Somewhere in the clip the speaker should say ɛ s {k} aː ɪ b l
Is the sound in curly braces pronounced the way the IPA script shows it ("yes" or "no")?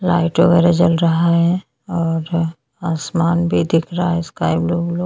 yes